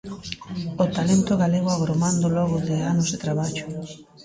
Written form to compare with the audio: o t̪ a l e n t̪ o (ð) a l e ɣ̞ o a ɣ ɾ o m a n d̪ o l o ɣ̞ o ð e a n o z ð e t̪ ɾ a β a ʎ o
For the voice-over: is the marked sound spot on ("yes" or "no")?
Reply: no